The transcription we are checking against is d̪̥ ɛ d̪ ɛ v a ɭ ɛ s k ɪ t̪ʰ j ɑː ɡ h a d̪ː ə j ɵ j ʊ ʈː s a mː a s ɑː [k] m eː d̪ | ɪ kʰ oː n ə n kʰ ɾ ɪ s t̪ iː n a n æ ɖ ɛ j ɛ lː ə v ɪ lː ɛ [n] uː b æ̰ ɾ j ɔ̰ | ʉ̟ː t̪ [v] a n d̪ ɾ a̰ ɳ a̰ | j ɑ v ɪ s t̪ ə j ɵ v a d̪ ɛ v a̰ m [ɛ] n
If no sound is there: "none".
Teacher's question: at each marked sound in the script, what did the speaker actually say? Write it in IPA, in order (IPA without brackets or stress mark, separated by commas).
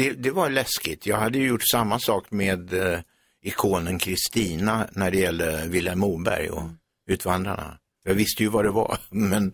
k, m, v, ɛ